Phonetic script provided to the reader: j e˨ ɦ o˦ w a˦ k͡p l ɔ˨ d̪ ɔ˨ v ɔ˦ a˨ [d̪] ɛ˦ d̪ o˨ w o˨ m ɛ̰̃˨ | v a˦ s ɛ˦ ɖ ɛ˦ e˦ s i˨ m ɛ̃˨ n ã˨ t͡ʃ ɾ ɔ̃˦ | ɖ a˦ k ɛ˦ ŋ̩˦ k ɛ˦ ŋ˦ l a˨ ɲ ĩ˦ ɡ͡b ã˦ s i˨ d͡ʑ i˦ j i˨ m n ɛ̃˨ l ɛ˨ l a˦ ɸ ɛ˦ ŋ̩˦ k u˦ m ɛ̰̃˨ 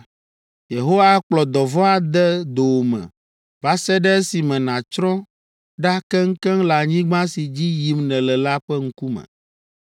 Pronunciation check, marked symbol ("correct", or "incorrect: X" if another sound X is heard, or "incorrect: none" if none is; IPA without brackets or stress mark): correct